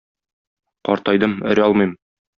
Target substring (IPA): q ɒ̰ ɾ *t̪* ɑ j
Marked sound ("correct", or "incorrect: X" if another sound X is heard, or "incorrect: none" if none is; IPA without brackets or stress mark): correct